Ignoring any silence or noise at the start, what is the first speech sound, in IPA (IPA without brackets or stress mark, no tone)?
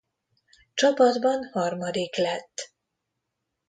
t͡ʃ